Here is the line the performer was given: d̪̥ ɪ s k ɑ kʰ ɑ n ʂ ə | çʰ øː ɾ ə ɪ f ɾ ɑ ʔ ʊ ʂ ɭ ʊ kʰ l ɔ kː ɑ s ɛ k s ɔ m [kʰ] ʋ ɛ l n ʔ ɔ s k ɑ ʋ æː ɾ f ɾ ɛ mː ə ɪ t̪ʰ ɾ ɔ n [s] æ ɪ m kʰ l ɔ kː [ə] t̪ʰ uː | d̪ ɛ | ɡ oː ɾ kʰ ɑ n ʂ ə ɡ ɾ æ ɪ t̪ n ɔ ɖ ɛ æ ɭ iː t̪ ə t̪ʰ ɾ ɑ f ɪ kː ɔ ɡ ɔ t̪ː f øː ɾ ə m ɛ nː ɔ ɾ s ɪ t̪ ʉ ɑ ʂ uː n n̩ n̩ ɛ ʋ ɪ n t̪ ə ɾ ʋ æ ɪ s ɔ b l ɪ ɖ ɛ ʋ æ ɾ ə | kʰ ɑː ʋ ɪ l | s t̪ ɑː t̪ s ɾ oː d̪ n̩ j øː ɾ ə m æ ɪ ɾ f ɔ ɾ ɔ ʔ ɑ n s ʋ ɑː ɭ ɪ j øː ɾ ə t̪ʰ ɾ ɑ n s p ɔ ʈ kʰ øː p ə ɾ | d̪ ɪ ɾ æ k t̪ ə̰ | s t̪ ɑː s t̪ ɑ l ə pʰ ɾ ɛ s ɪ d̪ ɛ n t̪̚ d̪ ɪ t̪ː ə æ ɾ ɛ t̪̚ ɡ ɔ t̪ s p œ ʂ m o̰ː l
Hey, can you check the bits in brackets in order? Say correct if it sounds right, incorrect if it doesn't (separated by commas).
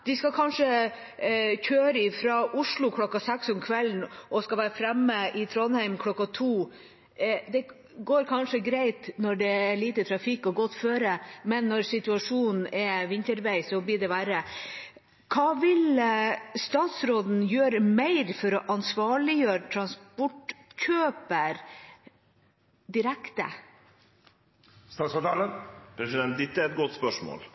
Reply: correct, incorrect, incorrect